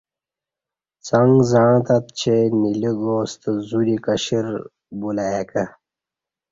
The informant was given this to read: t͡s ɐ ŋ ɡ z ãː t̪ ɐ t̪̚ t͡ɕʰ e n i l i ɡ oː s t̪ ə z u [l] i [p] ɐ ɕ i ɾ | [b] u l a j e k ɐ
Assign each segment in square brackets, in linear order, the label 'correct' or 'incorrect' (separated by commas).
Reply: incorrect, incorrect, correct